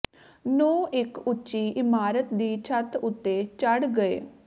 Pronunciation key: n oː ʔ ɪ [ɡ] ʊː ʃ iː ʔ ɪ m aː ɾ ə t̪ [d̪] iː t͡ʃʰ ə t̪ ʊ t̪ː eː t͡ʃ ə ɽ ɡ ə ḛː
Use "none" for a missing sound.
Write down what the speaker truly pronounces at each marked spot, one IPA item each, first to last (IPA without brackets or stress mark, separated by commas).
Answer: k, d̪